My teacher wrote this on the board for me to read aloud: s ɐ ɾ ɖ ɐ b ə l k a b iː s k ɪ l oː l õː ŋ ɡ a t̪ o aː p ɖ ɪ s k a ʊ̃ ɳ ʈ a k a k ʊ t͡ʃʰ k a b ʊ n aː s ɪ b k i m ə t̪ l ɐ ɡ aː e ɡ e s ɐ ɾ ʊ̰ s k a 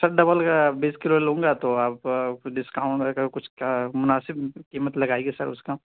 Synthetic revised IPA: s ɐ ɾ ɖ ɐ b ə l k a b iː s k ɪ l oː l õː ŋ ɡ a t̪ o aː p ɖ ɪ s k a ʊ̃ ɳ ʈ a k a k ʊ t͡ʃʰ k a m ʊ n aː s ɪ b k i m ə t̪ l ɐ ɡ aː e ɡ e s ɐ ɾ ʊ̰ s k a